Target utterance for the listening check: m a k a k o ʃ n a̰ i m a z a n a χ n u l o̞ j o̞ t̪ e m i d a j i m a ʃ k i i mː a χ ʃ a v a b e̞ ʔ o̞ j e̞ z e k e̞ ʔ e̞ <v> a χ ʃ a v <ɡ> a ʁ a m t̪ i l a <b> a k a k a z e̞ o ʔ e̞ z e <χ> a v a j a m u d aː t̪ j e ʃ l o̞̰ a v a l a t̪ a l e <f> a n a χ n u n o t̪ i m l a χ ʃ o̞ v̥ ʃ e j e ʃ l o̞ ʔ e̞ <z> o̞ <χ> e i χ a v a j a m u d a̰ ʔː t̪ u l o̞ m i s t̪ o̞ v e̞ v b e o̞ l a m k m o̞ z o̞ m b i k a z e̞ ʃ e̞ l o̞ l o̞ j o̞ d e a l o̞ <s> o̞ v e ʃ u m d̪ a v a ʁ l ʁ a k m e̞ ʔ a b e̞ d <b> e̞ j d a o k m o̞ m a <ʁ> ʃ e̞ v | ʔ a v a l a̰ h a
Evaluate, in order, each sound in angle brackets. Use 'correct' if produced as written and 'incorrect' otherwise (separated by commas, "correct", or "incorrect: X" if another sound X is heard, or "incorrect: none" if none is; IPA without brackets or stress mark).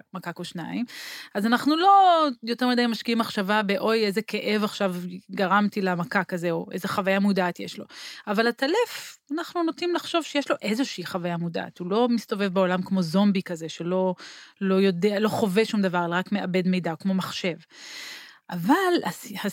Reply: correct, correct, incorrect: m, correct, correct, correct, incorrect: ʃ, incorrect: χ, incorrect: m, incorrect: χ